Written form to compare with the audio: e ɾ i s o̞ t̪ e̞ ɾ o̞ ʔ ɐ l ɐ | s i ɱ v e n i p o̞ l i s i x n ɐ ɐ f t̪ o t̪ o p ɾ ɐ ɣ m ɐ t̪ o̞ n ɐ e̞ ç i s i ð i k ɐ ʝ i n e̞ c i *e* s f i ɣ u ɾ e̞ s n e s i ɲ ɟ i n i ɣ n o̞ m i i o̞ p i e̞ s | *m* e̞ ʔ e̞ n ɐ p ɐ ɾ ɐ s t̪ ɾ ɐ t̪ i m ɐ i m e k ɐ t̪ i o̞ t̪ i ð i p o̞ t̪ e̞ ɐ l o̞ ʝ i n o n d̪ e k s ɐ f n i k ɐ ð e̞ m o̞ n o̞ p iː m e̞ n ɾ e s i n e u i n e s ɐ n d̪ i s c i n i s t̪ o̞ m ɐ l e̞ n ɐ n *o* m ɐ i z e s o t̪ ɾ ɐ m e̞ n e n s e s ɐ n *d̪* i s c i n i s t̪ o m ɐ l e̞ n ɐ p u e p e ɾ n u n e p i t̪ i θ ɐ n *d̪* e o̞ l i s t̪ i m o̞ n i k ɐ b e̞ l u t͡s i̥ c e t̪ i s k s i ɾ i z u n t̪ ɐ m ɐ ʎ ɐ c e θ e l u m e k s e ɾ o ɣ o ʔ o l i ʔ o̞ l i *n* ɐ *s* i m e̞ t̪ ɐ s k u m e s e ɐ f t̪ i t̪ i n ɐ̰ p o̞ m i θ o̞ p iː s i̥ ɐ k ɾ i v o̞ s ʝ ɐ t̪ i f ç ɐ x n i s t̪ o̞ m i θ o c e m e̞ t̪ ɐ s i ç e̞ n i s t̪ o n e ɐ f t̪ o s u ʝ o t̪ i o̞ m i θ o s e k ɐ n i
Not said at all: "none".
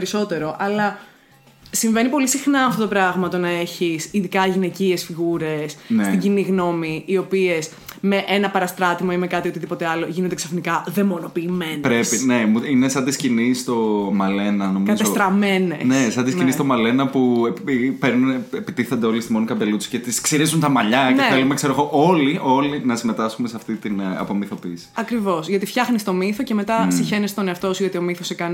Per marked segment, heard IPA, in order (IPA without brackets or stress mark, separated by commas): e, m, o, d̪, d̪, n, s